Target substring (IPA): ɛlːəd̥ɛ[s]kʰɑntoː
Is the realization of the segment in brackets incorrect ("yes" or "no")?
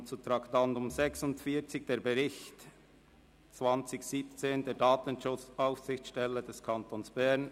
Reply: no